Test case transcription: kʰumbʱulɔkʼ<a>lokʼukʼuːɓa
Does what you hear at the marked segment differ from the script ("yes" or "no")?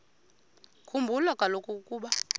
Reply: no